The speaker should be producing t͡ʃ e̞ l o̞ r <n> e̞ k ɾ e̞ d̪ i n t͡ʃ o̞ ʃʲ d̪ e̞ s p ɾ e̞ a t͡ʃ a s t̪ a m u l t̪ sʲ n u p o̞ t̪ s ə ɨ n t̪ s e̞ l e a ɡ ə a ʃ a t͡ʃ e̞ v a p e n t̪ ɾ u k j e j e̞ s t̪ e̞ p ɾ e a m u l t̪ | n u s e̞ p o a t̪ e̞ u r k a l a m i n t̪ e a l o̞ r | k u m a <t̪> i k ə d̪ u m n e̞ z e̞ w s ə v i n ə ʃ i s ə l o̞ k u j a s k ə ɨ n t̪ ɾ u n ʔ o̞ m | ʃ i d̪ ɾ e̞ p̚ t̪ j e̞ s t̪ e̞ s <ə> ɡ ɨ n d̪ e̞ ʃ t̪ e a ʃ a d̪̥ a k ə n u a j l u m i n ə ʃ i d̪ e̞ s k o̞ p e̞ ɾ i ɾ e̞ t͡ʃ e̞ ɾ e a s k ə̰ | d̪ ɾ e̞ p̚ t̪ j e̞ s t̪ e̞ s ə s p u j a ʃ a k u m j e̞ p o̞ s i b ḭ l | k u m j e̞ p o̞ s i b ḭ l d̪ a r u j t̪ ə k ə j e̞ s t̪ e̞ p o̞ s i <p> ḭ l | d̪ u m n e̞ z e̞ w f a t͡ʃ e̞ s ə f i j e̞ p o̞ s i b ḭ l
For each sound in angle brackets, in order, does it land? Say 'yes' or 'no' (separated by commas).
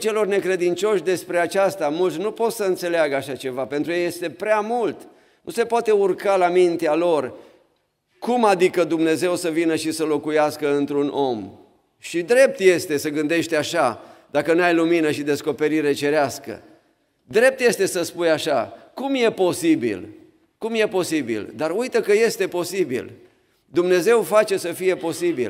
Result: yes, no, yes, no